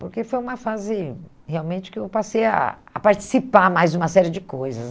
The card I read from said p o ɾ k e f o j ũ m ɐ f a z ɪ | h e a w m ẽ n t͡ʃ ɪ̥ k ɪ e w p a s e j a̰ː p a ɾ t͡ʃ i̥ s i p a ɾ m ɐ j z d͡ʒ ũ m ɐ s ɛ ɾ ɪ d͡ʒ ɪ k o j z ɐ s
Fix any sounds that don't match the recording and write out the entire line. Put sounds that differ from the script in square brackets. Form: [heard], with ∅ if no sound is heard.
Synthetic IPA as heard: p o ɾ k e f o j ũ m ɐ f a z ɪ | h e a w m ẽ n t͡ʃ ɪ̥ k ɪ e w p a s e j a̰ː p a ɾ t͡ʃ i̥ s i p a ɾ m [a] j z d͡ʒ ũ m ɐ s ɛ ɾ ɪ d͡ʒ ɪ k o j z ɐ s